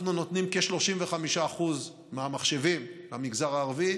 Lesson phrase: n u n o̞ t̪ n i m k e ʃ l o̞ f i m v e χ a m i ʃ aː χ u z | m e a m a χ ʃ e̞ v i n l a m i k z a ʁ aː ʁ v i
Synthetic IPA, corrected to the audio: n u n o̞ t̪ n i m k e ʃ l o̞ ʃ i m v e χ a m i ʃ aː χ u z | m e a m a χ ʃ e̞ v i m l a m i ɡ z a ʁ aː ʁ v i